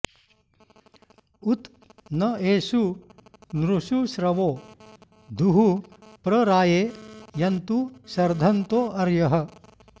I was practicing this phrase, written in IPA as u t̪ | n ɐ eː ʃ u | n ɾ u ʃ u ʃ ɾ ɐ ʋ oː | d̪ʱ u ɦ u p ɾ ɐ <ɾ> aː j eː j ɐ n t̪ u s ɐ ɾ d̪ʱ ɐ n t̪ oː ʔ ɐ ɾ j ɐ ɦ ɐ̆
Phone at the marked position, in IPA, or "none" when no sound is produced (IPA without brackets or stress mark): ɾ